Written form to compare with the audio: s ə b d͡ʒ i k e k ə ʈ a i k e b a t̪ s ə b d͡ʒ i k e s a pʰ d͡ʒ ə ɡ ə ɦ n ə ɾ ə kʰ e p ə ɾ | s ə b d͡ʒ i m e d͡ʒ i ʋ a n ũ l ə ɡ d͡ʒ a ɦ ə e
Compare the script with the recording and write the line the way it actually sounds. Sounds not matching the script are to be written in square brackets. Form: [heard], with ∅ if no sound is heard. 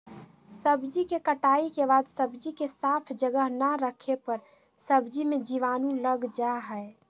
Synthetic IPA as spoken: s ə b d͡ʒ i k e k ə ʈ a i k e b a [d̪] s ə b d͡ʒ i k e s a pʰ d͡ʒ ə ɡ ə ɦ n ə ɾ ə kʰ e p ə ɾ | s ə b d͡ʒ i m e d͡ʒ i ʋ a n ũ l ə ɡ d͡ʒ a ɦ ə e